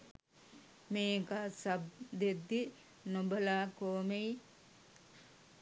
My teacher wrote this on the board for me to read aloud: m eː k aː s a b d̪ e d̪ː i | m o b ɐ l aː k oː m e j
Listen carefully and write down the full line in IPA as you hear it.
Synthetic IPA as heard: m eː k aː s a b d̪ e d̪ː i | n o b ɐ l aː k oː m e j